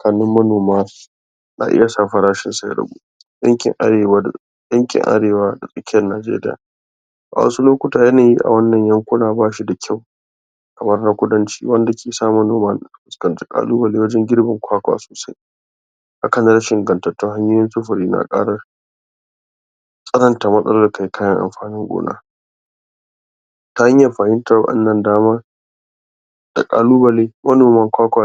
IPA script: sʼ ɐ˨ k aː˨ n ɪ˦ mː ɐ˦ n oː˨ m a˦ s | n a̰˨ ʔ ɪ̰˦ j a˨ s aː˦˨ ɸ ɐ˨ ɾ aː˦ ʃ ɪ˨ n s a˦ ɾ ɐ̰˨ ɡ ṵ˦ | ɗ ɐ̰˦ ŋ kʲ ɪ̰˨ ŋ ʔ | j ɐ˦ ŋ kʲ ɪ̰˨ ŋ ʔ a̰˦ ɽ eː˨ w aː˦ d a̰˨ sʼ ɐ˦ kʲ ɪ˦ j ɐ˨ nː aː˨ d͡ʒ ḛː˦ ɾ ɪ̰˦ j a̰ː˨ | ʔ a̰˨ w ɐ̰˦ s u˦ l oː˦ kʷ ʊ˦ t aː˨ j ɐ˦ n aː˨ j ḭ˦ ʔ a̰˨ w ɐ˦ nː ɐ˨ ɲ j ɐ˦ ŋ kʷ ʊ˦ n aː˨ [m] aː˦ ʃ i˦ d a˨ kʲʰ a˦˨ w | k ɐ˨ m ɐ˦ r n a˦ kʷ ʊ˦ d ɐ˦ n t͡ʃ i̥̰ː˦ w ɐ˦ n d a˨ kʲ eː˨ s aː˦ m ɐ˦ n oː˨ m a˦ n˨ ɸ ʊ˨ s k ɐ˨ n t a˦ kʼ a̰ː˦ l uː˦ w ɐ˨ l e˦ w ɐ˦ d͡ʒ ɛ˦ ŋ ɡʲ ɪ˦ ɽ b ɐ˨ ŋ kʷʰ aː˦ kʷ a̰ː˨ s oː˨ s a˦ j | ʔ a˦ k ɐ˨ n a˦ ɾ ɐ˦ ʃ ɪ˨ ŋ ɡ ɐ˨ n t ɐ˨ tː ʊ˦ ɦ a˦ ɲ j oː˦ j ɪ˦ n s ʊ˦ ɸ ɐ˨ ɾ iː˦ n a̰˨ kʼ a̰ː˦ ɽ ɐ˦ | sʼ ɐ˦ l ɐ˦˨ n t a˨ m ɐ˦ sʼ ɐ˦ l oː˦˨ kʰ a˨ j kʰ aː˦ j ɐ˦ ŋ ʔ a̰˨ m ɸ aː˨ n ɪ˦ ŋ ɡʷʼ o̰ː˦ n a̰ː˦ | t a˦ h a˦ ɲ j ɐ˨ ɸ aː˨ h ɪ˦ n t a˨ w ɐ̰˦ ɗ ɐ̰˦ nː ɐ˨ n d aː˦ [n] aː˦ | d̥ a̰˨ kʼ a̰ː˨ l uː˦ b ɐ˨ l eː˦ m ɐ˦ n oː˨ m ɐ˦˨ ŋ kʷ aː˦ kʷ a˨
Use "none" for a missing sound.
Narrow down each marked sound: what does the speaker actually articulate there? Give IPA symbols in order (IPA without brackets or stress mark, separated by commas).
b, m